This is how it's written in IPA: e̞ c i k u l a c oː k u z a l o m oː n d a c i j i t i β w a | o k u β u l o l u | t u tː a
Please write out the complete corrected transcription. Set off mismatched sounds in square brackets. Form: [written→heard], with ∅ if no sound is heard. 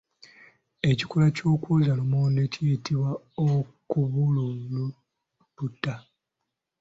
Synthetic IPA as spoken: e̞ c i k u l a c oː k u z a l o m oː n d [a→e] c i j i t i β w a | o k u β u l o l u | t u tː a